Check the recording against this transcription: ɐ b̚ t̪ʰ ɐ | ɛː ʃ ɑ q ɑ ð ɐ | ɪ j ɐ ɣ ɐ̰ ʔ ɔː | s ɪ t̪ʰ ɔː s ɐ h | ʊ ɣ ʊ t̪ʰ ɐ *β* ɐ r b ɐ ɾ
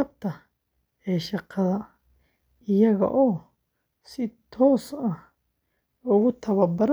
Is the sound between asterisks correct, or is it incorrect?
correct